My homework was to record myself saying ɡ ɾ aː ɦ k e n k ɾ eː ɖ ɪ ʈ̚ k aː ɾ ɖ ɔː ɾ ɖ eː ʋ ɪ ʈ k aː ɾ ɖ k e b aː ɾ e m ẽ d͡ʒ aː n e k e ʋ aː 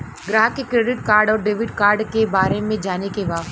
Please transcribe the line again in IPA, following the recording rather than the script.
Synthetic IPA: ɡ ɾ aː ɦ k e k ɾ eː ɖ ɪ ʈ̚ k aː ɾ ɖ ɔː ɾ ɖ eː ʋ ɪ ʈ k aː ɾ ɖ k e b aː ɾ e m ẽ d͡ʒ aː n e k e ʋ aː